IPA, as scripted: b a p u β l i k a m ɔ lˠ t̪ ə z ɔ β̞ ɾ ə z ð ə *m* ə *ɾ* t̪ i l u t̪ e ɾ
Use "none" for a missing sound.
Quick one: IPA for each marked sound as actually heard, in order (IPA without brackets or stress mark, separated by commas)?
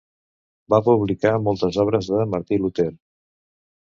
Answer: m, ɾ